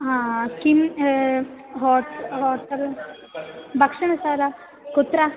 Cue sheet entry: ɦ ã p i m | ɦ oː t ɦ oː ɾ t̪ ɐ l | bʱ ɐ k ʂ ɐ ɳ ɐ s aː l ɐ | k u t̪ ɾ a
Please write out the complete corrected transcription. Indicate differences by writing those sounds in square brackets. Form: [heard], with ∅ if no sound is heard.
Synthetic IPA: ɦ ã [k] i m | ɦ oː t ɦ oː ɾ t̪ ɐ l | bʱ ɐ k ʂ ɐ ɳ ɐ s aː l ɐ | k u t̪ ɾ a